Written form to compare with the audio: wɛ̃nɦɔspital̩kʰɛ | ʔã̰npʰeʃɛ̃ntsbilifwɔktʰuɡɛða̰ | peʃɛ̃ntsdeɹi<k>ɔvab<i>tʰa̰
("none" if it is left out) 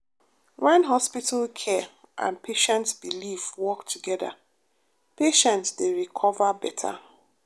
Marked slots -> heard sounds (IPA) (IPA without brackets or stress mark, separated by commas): kʰ, ɛ